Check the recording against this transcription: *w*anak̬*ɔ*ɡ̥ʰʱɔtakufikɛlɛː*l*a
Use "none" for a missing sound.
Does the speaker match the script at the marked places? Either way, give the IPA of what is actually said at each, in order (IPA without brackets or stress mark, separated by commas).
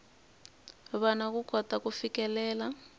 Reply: β, u, l